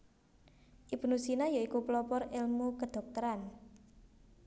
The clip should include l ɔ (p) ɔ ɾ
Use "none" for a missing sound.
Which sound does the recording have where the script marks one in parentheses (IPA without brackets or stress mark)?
p